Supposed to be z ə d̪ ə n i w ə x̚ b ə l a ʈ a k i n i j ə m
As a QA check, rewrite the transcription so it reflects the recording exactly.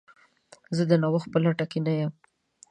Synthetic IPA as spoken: z ə d̪ ə n a w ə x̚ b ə l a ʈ a k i n a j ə m